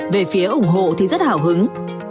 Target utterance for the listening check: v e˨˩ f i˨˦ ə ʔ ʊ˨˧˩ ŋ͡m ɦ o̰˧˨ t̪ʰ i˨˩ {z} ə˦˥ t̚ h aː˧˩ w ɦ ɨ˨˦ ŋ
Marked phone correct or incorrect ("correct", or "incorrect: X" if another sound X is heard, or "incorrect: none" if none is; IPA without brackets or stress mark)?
correct